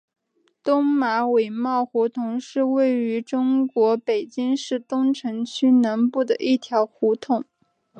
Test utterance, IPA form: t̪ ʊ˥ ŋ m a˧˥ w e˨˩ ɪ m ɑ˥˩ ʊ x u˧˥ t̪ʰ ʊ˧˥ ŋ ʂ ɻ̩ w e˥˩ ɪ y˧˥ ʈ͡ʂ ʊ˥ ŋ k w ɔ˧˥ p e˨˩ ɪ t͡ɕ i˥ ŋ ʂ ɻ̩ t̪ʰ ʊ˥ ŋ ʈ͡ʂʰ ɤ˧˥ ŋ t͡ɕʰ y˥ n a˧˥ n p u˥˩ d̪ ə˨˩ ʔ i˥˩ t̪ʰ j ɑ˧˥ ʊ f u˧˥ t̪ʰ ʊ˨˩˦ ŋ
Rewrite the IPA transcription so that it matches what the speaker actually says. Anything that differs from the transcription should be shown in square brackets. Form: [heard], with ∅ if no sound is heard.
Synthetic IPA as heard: t̪ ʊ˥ ŋ m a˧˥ w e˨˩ ɪ m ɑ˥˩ ʊ x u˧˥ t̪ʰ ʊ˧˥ ŋ ʂ ɻ̩ w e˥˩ ɪ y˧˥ ʈ͡ʂ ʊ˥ ŋ k w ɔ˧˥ p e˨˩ ɪ t͡ɕ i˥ ŋ ʂ ɻ̩ [t̪] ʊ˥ ŋ ʈ͡ʂʰ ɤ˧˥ ŋ t͡ɕʰ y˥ n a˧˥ n p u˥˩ d̪ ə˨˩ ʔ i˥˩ t̪ʰ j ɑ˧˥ ʊ [x] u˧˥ t̪ʰ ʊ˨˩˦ ŋ

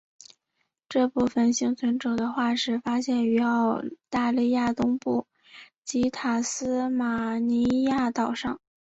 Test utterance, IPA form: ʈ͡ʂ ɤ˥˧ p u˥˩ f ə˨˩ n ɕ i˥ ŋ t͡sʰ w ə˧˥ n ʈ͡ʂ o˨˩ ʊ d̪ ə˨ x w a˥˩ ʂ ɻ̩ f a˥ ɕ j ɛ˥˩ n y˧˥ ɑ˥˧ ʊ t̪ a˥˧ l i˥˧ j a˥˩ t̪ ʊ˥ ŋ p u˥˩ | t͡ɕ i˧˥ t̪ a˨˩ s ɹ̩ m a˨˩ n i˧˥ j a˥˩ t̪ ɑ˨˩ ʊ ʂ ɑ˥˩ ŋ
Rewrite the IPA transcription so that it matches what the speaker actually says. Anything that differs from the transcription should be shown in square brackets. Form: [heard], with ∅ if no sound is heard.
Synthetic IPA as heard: ʈ͡ʂ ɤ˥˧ p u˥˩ f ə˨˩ n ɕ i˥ ŋ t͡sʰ w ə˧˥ n ʈ͡ʂ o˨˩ ʊ d̪ [ə˦] x w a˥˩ ʂ ɻ̩ f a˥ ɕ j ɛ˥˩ n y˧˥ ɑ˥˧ ʊ t̪ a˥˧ l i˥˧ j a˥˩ t̪ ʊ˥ ŋ p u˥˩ | t͡ɕ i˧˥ [t̪ʰ] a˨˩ s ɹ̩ m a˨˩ n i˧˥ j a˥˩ t̪ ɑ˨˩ ʊ ʂ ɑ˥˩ ŋ

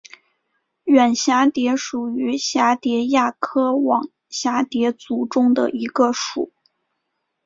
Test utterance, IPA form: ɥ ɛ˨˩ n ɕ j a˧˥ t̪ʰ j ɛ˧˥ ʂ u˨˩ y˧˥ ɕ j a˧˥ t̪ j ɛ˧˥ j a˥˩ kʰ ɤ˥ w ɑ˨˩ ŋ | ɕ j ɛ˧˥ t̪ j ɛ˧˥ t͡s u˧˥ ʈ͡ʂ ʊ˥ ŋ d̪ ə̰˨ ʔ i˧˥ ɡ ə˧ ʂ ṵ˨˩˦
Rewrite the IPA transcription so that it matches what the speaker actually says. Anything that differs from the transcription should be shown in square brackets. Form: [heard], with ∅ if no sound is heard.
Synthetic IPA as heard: ɥ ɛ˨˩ n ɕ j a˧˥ [t̪] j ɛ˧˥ ʂ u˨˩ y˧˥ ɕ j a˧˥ t̪ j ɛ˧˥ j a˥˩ kʰ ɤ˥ w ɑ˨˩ ŋ | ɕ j [a˧˥] t̪ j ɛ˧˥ t͡s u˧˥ ʈ͡ʂ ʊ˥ ŋ d̪ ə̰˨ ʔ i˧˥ ɡ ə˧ ʂ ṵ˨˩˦

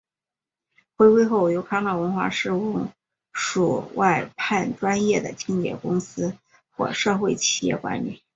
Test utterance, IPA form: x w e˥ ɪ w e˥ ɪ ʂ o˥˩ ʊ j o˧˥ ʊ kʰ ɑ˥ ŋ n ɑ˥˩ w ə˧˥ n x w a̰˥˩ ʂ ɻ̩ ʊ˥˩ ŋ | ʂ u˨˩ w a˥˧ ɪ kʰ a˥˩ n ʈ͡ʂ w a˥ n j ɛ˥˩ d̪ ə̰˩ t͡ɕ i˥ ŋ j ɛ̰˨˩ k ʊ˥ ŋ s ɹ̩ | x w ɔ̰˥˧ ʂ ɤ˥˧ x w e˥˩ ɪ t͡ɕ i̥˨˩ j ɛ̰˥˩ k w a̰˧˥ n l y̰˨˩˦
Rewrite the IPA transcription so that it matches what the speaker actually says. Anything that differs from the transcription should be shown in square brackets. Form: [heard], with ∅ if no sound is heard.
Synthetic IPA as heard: x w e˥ ɪ w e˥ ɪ [x] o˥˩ ʊ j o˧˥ ʊ kʰ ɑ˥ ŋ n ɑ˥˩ w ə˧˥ n x w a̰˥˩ ʂ ɻ̩ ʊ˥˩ ŋ | ʂ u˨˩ w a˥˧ ɪ [pʰ] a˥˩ n ʈ͡ʂ w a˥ n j ɛ˥˩ d̪ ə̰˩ t͡ɕ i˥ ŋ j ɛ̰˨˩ k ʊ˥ ŋ s ɹ̩ | x w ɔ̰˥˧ ʂ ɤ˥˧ x w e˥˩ ɪ [t͡ɕʰ] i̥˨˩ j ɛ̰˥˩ k w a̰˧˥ n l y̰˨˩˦

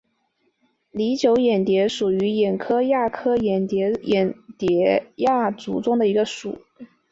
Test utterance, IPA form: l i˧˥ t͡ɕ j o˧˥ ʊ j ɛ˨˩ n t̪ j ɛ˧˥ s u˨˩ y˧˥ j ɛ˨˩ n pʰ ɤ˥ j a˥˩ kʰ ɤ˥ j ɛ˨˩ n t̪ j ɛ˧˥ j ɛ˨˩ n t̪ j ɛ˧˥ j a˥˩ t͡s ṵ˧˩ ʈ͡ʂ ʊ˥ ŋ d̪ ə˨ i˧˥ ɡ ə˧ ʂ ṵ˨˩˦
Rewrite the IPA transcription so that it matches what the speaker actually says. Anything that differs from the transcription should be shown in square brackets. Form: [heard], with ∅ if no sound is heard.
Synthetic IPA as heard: l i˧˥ t͡ɕ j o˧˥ ʊ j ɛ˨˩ n t̪ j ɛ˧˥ [ʂ] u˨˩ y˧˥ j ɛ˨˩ n [kʰ] ɤ˥ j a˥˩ kʰ ɤ˥ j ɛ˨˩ n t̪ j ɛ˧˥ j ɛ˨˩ n t̪ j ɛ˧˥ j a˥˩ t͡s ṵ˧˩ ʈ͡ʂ ʊ˥ ŋ d̪ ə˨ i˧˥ ɡ ə˧ ʂ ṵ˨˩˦

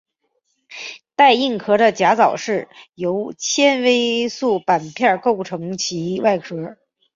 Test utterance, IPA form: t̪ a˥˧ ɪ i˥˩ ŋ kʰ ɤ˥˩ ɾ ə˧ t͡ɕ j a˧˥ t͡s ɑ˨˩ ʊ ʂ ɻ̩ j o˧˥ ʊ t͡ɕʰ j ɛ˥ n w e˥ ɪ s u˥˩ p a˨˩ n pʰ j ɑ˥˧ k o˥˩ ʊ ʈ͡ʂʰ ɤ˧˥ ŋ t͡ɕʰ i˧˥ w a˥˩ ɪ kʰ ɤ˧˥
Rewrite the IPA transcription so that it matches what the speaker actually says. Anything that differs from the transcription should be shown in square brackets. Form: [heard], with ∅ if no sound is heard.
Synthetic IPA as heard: t̪ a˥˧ ɪ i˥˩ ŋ kʰ [ɤ˧˥] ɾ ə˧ t͡ɕ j a˧˥ t͡s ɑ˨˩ ʊ ʂ ɻ̩ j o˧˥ ʊ t͡ɕʰ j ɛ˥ n w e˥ ɪ s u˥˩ p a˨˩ n pʰ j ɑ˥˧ k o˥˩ ʊ ʈ͡ʂʰ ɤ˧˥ ŋ t͡ɕʰ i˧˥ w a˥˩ ɪ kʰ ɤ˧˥

